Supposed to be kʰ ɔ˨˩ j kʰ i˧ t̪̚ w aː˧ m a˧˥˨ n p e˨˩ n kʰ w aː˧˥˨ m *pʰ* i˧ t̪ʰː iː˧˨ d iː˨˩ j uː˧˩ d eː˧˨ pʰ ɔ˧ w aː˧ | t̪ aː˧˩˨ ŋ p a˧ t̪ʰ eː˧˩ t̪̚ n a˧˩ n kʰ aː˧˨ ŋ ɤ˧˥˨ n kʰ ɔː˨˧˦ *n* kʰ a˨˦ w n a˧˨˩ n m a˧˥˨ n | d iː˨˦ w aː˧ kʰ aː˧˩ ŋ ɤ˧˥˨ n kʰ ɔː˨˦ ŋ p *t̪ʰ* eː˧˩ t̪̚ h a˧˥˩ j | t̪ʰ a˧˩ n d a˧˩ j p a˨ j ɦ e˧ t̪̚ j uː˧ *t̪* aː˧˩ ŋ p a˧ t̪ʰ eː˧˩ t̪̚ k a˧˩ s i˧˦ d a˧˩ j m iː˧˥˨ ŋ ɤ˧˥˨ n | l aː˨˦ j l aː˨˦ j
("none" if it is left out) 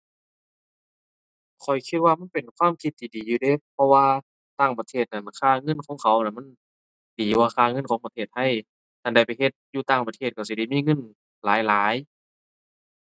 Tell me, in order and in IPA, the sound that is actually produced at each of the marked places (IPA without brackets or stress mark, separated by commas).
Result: kʰ, ŋ, t̪ʰ, t̪